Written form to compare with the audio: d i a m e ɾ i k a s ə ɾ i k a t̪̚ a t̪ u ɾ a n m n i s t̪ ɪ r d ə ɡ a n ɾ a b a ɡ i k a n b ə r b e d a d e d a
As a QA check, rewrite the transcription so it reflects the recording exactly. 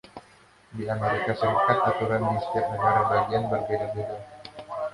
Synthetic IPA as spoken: d i a m e ɾ i k a s ə ɾ i k a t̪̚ a t̪ u ɾ a n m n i s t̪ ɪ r n ə ɡ a ɾ a b a ɡ i a n b ə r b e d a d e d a